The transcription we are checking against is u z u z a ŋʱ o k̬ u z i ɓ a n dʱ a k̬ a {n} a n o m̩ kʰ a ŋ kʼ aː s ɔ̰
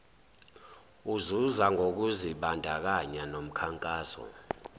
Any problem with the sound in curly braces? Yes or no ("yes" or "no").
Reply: yes